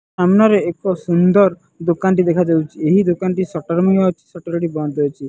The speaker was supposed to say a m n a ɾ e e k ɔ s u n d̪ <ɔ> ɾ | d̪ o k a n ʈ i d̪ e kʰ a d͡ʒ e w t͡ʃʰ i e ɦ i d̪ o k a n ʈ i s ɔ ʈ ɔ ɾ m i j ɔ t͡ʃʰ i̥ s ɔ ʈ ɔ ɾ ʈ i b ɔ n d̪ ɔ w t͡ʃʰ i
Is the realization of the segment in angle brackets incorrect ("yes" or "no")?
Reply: no